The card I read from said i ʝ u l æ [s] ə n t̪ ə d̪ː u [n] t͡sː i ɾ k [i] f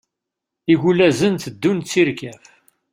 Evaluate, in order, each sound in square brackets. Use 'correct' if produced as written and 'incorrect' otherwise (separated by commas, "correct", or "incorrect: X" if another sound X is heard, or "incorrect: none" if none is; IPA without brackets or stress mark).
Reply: incorrect: z, correct, incorrect: æ